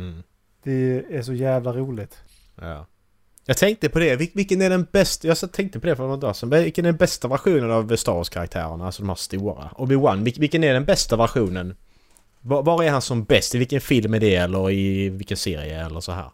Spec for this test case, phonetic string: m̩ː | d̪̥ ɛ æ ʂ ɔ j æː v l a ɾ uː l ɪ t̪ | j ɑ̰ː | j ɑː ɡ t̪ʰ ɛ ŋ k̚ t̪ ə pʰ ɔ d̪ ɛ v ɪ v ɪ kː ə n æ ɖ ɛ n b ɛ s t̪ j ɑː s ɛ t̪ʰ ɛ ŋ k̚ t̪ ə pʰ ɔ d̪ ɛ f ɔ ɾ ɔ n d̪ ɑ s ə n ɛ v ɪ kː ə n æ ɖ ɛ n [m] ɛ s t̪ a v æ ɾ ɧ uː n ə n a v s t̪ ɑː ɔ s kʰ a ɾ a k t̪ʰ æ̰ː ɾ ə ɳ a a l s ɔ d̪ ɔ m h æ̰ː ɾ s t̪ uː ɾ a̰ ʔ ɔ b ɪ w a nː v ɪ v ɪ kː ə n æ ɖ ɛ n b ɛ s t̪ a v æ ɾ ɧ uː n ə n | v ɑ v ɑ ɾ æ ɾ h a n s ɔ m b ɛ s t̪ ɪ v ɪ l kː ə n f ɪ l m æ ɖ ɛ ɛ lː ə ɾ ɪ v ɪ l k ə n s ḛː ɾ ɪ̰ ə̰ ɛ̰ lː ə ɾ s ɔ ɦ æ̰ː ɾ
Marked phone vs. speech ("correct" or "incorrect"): incorrect